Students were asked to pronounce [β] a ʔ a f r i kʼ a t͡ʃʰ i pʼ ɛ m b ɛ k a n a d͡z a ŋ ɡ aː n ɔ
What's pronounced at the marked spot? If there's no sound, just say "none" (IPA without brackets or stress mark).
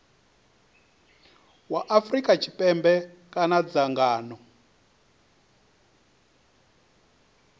w